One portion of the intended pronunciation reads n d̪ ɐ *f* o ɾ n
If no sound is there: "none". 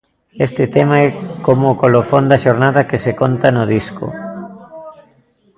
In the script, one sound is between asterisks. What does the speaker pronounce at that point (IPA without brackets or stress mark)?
ʃ